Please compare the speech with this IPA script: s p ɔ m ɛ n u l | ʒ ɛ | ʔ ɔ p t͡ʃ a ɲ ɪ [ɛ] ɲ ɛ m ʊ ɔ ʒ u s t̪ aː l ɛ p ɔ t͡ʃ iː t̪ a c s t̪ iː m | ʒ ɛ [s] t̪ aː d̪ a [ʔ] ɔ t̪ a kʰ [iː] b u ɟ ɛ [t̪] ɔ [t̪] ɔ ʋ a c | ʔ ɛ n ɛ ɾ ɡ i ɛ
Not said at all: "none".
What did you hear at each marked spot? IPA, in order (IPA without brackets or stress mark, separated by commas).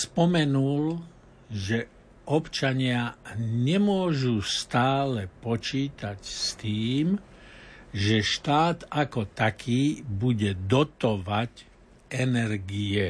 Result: a, ʃ, k, iː, d̪, t̪